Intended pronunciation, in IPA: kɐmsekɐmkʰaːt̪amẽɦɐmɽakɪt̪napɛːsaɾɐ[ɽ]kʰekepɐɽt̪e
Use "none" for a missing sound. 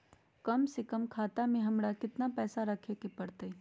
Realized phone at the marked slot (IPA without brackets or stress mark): none